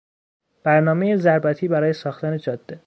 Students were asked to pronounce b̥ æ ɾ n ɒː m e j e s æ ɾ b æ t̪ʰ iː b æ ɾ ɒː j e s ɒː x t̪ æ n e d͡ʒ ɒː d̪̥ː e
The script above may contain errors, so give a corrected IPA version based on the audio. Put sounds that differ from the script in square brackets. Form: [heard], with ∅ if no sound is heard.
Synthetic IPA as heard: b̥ æ ɾ n ɒː m e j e [z] æ ɾ b æ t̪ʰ iː b æ ɾ ɒː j e s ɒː x t̪ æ n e d͡ʒ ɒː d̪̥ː e